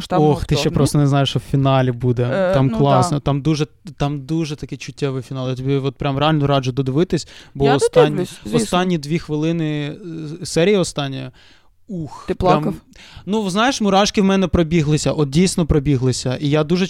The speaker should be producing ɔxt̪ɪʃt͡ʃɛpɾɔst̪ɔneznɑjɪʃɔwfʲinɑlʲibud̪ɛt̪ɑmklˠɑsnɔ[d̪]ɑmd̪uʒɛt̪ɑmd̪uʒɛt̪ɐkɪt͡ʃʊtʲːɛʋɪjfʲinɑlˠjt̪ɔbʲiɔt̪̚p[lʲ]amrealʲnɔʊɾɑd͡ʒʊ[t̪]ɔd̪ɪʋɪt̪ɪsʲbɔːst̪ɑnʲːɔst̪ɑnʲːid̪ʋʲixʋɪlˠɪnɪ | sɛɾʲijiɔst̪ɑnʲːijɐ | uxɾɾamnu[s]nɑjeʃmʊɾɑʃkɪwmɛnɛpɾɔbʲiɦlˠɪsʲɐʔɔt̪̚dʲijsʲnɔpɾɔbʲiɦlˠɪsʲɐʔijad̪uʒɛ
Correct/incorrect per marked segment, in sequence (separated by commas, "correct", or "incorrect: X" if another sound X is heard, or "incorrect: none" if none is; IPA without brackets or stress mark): incorrect: t̪, incorrect: ɾʲ, incorrect: d̪, incorrect: z